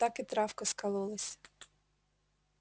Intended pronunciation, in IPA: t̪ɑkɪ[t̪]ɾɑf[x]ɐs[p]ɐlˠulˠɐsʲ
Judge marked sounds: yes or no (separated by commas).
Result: yes, no, no